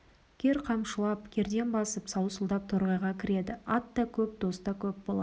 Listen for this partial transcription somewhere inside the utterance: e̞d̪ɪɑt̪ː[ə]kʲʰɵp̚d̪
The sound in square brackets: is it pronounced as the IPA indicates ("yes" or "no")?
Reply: no